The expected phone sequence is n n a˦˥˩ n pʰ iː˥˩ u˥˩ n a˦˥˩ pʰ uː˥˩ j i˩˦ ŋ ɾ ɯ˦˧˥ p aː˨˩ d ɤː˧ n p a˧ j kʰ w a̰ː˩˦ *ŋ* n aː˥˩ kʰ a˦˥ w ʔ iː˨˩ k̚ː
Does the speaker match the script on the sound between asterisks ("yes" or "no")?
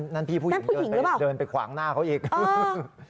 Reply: yes